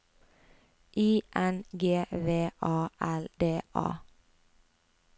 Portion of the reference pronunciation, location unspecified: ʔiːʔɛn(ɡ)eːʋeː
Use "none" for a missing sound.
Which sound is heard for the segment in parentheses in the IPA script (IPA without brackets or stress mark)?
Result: ɡ